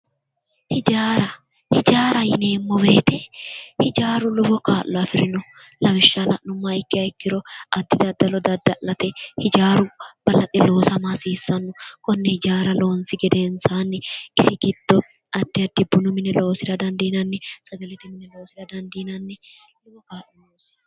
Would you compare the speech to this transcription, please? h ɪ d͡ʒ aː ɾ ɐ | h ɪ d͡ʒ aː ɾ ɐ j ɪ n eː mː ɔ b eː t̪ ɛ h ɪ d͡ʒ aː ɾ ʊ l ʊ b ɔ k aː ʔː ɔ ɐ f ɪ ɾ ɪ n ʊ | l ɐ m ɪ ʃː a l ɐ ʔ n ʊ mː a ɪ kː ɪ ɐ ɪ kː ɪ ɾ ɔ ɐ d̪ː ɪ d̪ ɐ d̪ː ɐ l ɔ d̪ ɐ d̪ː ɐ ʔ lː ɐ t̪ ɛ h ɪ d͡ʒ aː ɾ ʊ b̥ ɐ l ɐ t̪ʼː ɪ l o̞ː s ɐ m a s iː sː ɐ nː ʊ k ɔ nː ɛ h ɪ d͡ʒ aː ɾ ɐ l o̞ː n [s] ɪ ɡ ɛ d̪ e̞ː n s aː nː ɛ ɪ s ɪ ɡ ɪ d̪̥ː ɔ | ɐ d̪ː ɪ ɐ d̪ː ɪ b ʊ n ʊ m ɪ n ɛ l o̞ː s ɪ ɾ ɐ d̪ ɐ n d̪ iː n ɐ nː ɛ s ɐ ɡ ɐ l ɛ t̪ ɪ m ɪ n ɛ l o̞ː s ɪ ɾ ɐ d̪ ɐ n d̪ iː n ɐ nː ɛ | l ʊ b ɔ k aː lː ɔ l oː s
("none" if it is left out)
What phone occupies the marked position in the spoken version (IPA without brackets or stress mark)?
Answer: s